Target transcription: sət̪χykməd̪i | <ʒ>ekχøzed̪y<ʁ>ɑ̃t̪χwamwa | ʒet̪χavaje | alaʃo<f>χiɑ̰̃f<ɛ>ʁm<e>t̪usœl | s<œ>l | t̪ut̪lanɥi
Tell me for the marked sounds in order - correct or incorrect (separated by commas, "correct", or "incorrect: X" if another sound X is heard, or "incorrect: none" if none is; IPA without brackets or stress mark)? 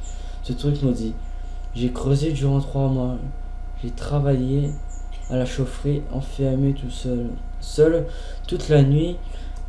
correct, correct, correct, correct, correct, correct